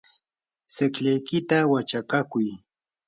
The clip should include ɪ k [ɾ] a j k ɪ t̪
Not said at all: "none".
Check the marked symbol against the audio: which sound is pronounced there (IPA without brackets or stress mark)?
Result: ʎ